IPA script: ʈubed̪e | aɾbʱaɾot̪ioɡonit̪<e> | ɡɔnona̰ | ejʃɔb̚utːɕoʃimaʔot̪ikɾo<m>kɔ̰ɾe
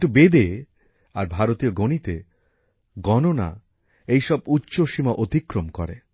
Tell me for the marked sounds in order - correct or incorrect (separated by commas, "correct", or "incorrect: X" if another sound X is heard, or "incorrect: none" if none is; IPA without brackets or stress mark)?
correct, correct